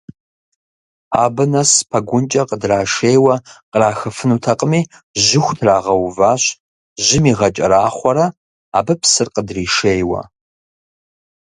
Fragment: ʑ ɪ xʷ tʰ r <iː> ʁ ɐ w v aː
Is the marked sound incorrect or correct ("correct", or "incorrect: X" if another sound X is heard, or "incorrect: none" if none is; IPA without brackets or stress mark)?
incorrect: aː